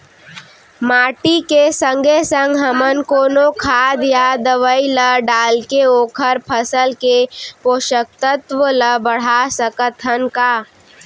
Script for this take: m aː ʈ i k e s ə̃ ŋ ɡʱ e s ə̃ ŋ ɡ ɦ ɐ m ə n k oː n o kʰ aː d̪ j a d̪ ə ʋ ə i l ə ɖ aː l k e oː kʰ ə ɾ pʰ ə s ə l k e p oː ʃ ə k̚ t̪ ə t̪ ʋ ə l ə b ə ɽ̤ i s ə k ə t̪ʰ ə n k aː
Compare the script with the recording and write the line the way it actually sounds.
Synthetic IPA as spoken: m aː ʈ i k e s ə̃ ŋ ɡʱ e s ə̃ ŋ ɡ ɦ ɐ m ə n k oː n o kʰ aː d̪ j a d̪ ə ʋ ə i l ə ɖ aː l k e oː kʰ ə ɾ pʰ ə s ə l k e p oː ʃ ə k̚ t̪ ə t̪ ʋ ə l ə b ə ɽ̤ a s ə k ə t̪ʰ ə n k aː